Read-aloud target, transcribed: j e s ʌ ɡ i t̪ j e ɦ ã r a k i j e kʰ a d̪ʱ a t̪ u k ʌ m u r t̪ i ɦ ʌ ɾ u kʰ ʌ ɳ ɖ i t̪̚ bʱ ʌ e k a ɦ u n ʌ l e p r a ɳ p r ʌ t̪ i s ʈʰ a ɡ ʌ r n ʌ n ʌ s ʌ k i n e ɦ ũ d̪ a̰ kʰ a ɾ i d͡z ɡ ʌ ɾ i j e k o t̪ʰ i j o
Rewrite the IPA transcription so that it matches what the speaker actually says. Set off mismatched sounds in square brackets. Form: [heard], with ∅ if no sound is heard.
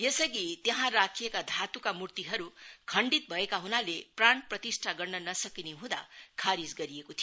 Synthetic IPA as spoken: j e s ʌ ɡ i t̪ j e ɦ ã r a [kʰ] i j e [k] a d̪ʱ a t̪ u k [a] m u r t̪ i ɦ ʌ ɾ u kʰ ʌ ɳ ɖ i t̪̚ bʱ ʌ e k a ɦ u n [a] l e p r a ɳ p r ʌ t̪ i s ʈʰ a ɡ ʌ r n ʌ n ʌ s ʌ k i n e ɦ ũ d̪ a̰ kʰ a ɾ i d͡z ɡ ʌ ɾ i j e k o t̪ʰ i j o